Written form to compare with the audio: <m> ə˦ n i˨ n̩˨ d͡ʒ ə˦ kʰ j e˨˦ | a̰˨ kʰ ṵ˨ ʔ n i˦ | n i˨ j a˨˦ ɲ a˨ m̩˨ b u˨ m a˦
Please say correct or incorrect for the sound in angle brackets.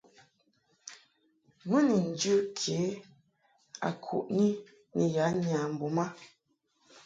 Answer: correct